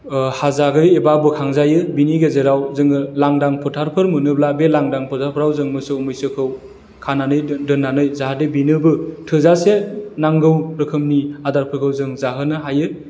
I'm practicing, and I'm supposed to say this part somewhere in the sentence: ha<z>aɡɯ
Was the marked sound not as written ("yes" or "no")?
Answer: no